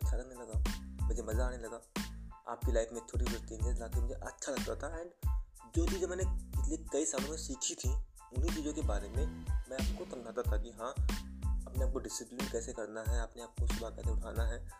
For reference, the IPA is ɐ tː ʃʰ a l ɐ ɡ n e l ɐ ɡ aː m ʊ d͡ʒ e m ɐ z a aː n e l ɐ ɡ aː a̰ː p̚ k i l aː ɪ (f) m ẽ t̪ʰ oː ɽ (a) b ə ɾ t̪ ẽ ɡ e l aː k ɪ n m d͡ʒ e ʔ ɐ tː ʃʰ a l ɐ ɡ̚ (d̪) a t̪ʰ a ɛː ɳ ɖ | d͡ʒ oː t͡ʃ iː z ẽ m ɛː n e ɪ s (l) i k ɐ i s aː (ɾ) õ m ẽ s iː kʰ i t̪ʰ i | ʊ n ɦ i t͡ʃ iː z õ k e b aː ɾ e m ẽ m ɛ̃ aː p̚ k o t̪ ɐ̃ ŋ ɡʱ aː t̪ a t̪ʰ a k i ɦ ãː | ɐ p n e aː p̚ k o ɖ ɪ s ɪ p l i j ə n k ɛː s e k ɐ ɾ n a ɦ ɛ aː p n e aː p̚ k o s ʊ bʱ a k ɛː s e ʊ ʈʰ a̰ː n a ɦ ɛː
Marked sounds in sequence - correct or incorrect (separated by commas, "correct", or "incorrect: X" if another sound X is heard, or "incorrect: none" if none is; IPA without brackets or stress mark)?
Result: correct, incorrect: i, incorrect: t̪, correct, incorrect: l